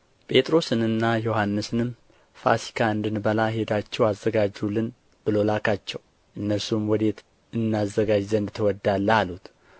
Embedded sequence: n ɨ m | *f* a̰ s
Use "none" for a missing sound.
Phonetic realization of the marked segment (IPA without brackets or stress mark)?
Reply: f